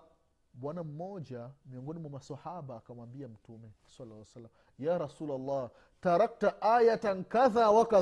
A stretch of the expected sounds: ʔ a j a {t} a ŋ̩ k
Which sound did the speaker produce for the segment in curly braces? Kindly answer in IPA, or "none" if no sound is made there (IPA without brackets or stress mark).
t